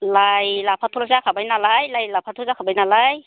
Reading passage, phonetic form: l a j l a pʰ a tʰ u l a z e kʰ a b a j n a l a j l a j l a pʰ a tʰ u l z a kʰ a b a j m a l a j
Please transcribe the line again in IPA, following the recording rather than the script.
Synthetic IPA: l a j l a pʰ a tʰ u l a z a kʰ a b a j n a l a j l a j l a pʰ a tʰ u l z a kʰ a b a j n a l a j